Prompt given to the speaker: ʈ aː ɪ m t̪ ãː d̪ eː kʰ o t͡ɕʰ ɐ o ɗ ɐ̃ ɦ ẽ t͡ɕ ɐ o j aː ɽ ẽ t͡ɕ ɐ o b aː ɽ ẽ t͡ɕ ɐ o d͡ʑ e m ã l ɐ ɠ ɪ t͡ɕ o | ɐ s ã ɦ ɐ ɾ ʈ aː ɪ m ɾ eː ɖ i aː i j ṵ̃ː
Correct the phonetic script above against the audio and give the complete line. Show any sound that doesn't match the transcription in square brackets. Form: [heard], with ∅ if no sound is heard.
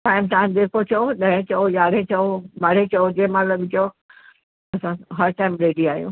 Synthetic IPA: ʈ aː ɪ m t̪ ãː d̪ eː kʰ o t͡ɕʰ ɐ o ɗ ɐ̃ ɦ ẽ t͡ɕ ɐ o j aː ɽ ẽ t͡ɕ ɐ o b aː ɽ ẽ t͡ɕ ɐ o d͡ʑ e m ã l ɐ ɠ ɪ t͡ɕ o | ɐ s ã ɦ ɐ ɾ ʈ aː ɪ m ɾ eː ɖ i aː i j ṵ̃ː